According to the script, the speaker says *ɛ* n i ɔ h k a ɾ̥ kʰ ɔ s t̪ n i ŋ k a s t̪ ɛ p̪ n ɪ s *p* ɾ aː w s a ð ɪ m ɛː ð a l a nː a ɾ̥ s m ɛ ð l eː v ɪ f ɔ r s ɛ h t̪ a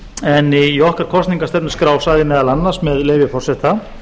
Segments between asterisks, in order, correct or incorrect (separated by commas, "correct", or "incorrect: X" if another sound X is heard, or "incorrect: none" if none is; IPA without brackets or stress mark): correct, incorrect: k